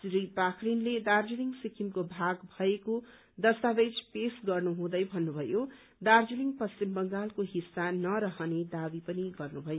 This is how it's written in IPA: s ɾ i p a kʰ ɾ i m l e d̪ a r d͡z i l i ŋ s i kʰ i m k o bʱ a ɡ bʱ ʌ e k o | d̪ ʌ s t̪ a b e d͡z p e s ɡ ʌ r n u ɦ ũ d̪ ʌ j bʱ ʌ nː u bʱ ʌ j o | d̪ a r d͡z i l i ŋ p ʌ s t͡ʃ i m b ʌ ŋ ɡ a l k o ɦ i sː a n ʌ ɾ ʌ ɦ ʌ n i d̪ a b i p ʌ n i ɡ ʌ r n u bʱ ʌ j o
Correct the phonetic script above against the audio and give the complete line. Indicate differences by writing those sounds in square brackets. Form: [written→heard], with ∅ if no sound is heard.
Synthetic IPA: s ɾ i p a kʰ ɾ i [m→n] l e d̪ a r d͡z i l i ŋ s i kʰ i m k o bʱ a ɡ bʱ ʌ e k o | d̪ ʌ s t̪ a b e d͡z p e s ɡ ʌ r n u ɦ ũ d̪ ʌ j bʱ ʌ nː u bʱ ʌ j o | d̪ a r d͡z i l i ŋ p ʌ s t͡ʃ i m b ʌ ŋ ɡ a l k o ɦ i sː a n ʌ ɾ ʌ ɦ ʌ n [i→e] d̪ a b i p ʌ n i ɡ ʌ r n u bʱ ʌ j o